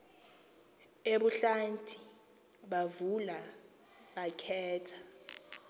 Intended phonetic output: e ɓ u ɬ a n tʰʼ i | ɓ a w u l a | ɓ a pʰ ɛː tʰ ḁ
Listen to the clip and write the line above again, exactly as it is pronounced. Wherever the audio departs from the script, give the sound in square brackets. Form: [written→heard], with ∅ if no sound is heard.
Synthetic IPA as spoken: e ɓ u ɬ a n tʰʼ i | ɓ a [w→v] u l a | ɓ a [pʰ→kʰ] ɛː tʰ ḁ